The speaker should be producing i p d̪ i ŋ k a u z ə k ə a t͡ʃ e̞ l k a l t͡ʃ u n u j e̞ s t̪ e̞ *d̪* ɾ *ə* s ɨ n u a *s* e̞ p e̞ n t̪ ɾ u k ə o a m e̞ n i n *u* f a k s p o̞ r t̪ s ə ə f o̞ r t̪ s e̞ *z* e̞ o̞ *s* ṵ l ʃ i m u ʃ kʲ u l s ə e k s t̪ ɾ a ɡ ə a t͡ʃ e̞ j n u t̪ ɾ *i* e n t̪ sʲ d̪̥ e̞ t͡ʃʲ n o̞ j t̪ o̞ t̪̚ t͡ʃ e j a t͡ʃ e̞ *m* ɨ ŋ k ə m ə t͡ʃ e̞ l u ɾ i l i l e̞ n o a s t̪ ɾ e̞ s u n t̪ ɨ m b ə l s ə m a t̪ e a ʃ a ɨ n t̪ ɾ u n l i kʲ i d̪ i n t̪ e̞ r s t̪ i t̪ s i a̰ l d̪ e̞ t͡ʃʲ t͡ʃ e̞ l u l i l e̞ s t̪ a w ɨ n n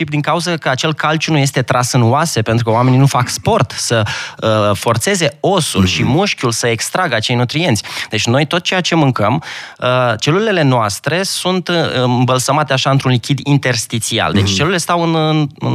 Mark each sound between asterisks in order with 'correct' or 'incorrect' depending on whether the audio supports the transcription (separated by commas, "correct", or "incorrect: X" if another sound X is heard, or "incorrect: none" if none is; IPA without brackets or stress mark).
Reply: incorrect: t̪, incorrect: a, correct, correct, correct, correct, correct, correct